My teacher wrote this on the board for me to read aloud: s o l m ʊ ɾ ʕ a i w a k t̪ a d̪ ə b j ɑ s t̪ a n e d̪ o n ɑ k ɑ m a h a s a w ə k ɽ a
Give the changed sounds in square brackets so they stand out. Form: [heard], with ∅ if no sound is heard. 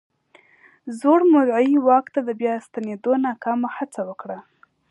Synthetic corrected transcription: [z] o [ɽ] m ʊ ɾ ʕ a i w [ɑ] k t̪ a d̪ ə b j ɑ s t̪ a n e d̪ o n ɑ k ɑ m a h a [t͡s] a w ə k ɽ a